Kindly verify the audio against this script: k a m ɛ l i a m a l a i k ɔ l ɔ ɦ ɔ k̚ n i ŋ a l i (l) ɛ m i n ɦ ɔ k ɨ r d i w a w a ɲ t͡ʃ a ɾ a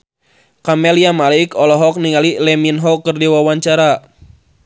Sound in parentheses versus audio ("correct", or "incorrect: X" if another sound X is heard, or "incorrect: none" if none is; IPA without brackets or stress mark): correct